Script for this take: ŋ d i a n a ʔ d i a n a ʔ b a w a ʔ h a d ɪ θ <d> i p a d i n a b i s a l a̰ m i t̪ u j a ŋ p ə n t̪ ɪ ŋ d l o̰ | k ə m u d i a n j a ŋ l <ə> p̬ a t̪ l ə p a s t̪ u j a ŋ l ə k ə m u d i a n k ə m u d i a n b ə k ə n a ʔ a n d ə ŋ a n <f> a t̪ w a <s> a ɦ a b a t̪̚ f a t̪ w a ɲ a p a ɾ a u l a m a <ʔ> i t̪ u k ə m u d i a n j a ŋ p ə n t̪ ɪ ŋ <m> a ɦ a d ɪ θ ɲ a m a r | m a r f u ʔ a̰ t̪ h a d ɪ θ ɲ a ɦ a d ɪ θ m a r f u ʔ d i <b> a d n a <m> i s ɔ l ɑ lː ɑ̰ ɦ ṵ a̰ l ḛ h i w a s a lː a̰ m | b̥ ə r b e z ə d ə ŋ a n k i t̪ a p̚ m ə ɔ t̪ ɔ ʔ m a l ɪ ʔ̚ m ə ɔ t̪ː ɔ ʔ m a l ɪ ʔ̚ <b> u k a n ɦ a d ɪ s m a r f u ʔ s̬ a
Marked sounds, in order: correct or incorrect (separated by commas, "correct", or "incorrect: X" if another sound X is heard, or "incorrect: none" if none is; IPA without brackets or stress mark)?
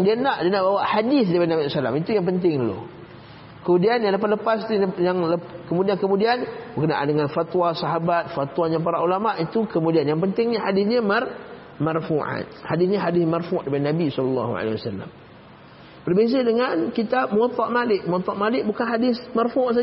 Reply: correct, correct, correct, correct, correct, incorrect: ɲ, incorrect: p, incorrect: b, correct